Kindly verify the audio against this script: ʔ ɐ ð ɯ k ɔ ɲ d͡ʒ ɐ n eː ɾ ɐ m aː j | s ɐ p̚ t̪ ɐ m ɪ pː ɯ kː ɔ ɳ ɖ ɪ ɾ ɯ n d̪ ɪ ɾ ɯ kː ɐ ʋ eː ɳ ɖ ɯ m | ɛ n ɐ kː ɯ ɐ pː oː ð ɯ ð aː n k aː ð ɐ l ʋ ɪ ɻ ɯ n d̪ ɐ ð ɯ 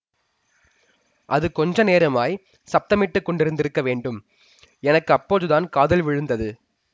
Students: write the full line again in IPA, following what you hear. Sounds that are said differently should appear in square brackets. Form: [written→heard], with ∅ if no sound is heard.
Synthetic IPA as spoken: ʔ ɐ ð ɯ k ɔ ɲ d͡ʒ ɐ n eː ɾ ɐ m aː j | s ɐ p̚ t̪ ɐ m ɪ [pː→ʈː] ɯ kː ɔ ɳ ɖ ɪ ɾ ɯ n d̪ ɪ ɾ ɯ kː ɐ ʋ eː ɳ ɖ ɯ m | ɛ n ɐ kː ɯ ɐ pː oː ð ɯ ð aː n k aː ð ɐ l ʋ ɪ ɻ ɯ n d̪ ɐ ð ɯ